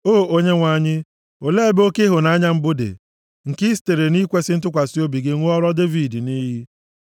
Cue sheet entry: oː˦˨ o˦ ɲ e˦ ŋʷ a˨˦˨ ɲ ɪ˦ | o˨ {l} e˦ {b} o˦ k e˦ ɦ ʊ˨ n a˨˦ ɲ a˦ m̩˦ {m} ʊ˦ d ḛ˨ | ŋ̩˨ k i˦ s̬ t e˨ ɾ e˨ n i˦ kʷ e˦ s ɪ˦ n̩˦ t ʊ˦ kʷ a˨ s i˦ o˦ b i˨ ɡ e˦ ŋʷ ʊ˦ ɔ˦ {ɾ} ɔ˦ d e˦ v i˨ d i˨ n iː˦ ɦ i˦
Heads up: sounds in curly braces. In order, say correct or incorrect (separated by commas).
correct, correct, incorrect, correct